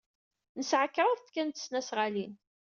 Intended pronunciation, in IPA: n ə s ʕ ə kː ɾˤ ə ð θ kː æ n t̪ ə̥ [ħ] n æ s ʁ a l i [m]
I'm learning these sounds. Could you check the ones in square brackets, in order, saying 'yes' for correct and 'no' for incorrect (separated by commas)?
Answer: no, no